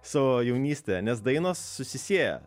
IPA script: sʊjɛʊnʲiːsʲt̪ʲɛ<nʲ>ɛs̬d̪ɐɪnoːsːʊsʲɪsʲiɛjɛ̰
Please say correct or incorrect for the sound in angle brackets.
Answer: correct